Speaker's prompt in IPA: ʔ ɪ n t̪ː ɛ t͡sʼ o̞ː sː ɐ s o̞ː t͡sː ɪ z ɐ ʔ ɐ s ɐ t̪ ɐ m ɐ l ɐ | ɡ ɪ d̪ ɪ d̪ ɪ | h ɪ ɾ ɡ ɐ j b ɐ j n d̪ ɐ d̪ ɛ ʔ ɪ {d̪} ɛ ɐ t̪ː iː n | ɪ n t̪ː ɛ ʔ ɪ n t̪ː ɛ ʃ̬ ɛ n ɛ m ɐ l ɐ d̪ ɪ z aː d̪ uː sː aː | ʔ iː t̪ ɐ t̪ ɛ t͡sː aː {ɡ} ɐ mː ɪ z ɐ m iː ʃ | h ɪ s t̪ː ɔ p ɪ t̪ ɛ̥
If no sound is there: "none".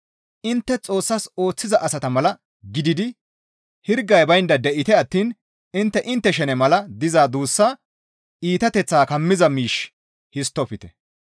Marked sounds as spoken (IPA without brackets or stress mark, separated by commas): t̪, k